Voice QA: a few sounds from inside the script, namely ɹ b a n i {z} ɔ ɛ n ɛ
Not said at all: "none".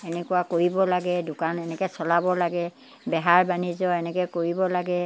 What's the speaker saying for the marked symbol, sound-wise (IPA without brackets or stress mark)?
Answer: z